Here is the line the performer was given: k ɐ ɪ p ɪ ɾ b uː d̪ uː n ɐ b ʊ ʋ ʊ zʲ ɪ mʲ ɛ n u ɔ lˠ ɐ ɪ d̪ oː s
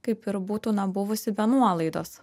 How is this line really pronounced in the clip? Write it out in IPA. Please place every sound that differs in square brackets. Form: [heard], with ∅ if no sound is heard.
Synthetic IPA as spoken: k ɐ ɪ p ɪ ɾ b uː [t̪] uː n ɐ b ʊ ʋ ʊ [sʲ] ɪ [bʲ] ɛ n u ɔ lˠ ɐ ɪ d̪ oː s